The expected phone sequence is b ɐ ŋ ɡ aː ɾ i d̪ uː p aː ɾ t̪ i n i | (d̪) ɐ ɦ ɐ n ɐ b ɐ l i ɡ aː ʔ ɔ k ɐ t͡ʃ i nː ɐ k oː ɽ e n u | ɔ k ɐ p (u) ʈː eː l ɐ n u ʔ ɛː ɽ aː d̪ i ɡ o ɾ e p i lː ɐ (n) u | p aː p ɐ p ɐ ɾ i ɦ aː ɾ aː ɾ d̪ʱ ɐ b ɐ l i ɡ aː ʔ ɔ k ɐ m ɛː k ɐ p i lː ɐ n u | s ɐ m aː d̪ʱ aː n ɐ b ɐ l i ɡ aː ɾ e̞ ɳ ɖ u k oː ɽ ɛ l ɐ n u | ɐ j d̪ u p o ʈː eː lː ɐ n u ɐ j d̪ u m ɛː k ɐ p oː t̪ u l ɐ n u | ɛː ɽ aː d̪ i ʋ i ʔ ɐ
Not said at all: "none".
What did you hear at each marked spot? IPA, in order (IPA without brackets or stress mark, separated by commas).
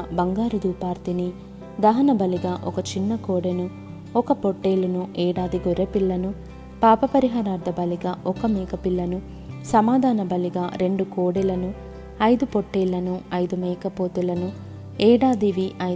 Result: d̪, o, n